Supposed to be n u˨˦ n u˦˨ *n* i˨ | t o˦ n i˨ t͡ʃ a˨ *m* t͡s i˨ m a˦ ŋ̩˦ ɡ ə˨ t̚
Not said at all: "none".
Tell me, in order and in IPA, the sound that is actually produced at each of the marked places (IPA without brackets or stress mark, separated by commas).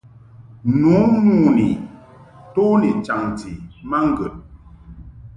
n, ŋ